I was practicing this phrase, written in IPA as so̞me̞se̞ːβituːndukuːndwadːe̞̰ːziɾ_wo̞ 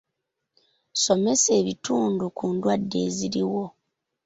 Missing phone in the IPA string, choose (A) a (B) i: B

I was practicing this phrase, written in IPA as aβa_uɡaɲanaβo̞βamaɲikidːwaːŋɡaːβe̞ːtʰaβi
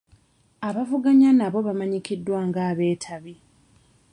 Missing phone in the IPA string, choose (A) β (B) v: B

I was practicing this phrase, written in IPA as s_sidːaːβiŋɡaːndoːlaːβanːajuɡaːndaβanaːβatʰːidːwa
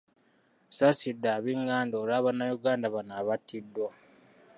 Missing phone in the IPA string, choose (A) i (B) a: B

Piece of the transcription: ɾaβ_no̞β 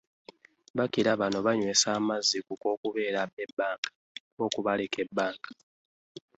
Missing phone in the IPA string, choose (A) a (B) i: A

